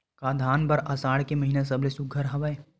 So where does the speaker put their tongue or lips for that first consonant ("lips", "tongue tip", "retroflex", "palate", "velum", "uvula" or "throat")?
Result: velum